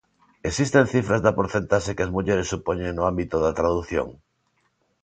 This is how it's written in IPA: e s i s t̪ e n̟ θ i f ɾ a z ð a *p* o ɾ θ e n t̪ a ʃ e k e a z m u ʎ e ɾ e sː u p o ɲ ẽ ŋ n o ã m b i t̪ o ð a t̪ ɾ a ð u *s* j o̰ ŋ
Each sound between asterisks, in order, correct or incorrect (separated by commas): correct, incorrect